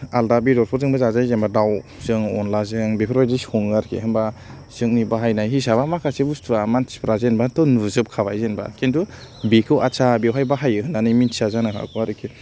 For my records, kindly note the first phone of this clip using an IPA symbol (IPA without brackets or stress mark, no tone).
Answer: a